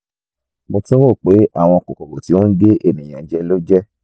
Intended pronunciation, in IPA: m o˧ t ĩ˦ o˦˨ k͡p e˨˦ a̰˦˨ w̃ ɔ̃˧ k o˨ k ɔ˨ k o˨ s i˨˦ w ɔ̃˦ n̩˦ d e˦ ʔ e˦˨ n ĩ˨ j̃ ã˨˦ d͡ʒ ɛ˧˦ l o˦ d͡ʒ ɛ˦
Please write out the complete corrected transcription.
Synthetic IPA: m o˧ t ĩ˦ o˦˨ k͡p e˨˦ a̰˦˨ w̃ ɔ̃˧ k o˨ k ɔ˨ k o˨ t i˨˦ w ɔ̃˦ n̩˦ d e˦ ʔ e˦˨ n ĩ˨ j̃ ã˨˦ d͡ʒ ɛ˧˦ l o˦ d͡ʒ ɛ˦